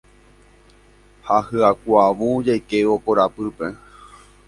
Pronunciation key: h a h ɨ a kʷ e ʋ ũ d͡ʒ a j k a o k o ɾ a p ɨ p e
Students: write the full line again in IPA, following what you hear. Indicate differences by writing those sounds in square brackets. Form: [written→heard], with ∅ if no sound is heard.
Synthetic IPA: h a h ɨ a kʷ [e→a] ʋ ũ d͡ʒ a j k [a→e] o k o ɾ a p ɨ p e

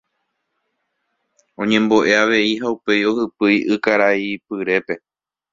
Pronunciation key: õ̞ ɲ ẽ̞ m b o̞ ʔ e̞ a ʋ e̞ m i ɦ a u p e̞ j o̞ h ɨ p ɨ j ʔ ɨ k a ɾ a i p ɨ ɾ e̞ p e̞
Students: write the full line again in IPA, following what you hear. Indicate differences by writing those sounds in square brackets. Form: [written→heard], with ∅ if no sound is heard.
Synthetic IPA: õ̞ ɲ ẽ̞ m b o̞ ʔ e̞ a ʋ e̞ [m→∅] i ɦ a u p e̞ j o̞ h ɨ p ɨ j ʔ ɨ k a ɾ a i p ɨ ɾ e̞ p e̞

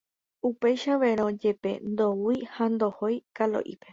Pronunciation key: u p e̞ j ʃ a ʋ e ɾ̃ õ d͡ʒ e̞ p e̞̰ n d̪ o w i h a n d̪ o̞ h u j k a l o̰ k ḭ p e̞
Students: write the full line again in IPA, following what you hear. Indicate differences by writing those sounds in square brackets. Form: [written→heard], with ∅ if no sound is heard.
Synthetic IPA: u p e̞ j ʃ a ʋ e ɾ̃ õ d͡ʒ e̞ p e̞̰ n d̪ o w i h a n d̪ o̞ h [u→o] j k a l o̰ [k→ʔ] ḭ p e̞

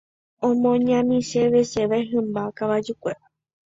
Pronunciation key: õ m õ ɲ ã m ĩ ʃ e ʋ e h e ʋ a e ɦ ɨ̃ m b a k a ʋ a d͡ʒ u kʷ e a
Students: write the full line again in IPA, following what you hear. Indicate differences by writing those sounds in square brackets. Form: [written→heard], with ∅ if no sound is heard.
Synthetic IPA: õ m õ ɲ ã m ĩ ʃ e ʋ e [h→ʃ] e ʋ a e ɦ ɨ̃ m b a k a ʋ a d͡ʒ u kʷ e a

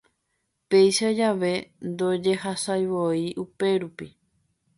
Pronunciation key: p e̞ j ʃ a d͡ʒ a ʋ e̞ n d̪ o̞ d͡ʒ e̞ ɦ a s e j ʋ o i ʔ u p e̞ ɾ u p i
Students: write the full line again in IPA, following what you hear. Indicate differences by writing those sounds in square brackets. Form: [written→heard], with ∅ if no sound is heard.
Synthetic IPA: p e̞ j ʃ a d͡ʒ a ʋ e̞ n d̪ o̞ d͡ʒ e̞ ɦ a s [e→a] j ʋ o i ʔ u p e̞ ɾ u p i

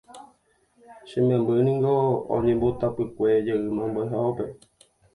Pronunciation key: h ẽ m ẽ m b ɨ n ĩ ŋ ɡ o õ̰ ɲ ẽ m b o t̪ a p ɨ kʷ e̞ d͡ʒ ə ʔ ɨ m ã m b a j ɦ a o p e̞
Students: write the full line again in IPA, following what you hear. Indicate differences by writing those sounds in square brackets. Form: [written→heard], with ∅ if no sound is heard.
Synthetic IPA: [h→ʃ] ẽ m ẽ m b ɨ n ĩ ŋ ɡ o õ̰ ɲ ẽ m b o t̪ a p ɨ kʷ e̞ d͡ʒ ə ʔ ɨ m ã m b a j ɦ a o p e̞

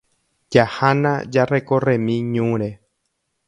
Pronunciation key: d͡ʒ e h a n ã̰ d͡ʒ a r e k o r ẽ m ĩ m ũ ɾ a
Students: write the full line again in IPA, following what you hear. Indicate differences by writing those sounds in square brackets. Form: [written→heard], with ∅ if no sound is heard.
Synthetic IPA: d͡ʒ [e→a] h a n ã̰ d͡ʒ a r e k o r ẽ m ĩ [m→ɲ] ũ ɾ [a→e]

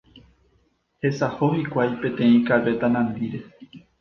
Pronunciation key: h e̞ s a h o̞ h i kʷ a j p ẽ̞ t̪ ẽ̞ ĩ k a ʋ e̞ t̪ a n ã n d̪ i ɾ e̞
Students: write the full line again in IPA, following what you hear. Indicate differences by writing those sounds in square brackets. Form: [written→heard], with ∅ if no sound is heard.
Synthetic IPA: h e̞ s a h o̞ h i kʷ a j p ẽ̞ t̪ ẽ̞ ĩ k a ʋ e̞ t̪ a n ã n d̪ i ɾ e̞

